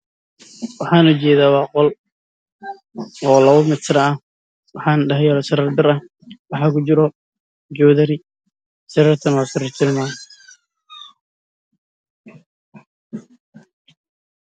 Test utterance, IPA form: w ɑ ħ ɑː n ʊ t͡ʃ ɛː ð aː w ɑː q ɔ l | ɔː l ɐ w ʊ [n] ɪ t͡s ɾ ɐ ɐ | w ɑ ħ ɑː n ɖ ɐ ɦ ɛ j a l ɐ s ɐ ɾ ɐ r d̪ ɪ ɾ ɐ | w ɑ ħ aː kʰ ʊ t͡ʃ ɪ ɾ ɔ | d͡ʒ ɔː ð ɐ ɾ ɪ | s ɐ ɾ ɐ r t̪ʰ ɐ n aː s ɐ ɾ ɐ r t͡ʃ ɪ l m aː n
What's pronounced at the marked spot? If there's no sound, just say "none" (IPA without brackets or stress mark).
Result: m